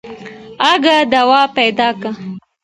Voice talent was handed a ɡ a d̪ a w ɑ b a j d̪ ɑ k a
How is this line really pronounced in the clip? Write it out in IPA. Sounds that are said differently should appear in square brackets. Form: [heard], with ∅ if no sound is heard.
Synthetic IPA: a ɡ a d̪ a w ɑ [p] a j d̪ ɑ k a